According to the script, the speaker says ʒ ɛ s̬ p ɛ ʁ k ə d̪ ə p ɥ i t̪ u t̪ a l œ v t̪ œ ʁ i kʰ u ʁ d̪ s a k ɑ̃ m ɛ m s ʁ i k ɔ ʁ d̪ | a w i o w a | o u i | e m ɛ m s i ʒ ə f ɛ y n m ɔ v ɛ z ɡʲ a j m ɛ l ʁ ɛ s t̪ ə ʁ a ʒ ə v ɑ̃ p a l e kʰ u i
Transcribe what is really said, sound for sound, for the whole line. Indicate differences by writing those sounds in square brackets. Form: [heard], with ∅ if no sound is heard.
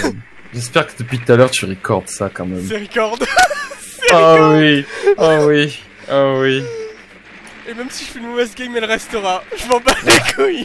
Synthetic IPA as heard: ʒ ɛ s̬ p ɛ ʁ k ə d̪ ə p ɥ i t̪ u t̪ a l œ [ʁ] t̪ [y] ʁ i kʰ [ɔ] ʁ d̪ s a k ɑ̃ m ɛ m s ʁ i k ɔ ʁ d̪ | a w i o w [i] | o [w] i | e m ɛ m s i ʒ ə f ɛ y n m ɔ v ɛ z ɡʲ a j m ɛ l ʁ ɛ s t̪ ə ʁ a ʒ ə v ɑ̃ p a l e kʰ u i